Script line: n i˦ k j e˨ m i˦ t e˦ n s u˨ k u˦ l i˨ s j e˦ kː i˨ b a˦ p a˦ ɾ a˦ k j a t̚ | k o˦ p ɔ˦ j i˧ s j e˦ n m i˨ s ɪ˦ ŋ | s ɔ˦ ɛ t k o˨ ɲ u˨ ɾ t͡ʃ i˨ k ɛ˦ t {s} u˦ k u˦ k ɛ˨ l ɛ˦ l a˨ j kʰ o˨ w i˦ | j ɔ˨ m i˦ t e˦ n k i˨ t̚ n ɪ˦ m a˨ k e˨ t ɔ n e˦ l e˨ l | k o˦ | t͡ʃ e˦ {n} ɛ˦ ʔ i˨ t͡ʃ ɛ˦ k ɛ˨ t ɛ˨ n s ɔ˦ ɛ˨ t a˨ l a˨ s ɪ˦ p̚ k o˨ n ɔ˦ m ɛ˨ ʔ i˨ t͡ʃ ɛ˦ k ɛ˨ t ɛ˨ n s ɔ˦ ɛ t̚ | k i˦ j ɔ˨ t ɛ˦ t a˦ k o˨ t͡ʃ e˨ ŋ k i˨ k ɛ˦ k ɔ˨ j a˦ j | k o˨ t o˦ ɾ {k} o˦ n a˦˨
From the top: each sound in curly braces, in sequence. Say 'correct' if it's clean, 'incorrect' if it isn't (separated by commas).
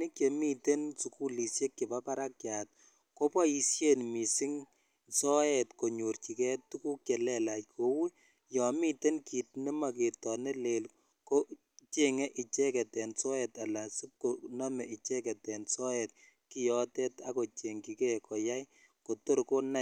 incorrect, incorrect, correct